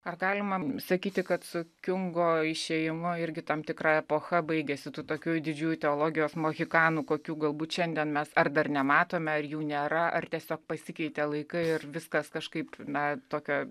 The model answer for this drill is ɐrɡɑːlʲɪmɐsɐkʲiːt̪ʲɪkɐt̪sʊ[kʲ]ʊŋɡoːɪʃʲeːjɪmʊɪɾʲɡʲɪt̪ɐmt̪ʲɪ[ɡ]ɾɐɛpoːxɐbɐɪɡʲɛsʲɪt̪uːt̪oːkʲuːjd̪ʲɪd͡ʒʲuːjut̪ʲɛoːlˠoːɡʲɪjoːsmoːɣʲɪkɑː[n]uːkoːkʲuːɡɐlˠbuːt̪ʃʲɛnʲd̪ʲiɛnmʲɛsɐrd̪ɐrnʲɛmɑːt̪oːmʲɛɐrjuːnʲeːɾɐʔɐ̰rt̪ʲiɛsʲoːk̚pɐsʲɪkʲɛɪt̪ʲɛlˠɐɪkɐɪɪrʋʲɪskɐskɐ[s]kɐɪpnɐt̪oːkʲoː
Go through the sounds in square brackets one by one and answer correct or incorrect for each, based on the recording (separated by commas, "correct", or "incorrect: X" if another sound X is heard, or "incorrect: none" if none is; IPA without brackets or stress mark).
correct, incorrect: k, correct, incorrect: ʃ